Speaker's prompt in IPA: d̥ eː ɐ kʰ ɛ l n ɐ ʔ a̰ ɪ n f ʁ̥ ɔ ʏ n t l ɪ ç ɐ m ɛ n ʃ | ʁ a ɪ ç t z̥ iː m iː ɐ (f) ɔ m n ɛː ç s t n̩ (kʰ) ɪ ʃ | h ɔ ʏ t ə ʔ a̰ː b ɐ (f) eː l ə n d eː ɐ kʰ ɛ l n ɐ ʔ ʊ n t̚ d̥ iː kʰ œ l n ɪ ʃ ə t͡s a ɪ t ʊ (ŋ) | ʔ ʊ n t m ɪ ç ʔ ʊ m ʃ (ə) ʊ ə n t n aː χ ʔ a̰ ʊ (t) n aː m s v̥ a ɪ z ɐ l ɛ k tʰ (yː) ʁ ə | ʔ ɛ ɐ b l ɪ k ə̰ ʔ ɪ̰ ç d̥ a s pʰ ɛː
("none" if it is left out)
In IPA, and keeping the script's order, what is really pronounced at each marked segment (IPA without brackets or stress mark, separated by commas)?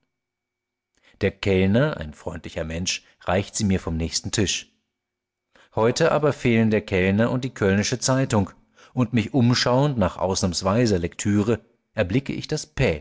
f, tʰ, f, ŋ, a, s, yː